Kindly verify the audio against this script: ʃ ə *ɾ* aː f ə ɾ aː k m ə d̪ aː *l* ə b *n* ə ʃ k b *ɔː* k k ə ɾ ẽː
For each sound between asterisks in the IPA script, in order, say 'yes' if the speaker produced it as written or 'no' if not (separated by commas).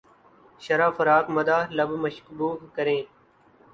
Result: yes, yes, no, no